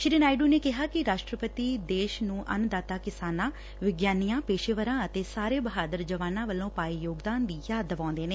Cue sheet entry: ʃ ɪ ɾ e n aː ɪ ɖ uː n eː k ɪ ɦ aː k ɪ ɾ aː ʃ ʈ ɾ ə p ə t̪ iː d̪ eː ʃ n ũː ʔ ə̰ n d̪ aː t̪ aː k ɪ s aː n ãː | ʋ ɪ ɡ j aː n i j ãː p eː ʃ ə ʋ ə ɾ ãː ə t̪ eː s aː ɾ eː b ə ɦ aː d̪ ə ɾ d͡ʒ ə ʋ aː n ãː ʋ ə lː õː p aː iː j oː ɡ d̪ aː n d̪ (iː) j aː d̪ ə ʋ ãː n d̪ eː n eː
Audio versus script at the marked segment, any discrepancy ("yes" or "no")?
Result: no